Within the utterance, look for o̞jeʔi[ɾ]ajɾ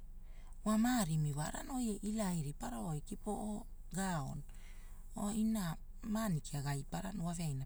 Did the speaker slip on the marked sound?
yes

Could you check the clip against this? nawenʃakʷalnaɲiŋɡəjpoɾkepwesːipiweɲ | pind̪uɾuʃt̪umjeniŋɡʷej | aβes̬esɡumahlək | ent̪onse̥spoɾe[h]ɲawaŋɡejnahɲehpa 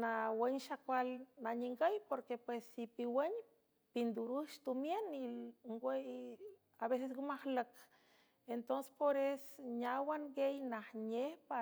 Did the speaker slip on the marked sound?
yes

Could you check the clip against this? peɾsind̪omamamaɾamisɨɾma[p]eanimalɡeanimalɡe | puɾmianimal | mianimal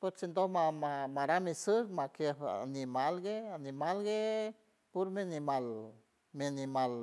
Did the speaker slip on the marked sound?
yes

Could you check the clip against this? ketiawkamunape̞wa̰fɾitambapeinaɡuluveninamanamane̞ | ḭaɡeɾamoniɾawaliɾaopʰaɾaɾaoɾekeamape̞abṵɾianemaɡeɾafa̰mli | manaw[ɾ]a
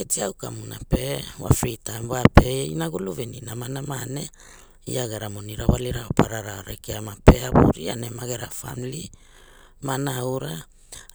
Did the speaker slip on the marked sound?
no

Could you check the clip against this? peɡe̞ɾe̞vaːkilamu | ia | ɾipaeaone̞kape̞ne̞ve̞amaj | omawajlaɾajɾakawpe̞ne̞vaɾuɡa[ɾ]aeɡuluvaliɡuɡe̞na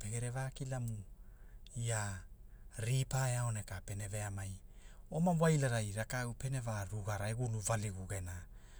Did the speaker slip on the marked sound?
no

